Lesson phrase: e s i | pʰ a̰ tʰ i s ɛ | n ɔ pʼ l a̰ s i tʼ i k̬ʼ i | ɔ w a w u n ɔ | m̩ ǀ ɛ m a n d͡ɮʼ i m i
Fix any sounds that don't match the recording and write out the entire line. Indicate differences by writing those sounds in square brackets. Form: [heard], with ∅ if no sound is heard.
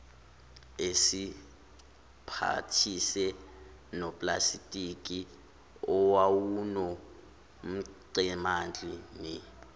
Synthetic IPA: e s i | pʰ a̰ tʰ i s ɛ | n ɔ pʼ l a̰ s i tʼ i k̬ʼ i | ɔ w a w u n ɔ | m̩ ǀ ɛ m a n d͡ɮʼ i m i